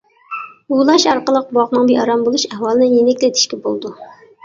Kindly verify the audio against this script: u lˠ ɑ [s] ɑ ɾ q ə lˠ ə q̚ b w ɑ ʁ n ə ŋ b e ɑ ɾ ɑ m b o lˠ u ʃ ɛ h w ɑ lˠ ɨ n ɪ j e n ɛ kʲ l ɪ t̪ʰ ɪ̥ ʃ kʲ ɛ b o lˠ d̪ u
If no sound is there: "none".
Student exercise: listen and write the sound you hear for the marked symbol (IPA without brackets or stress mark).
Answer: ʃ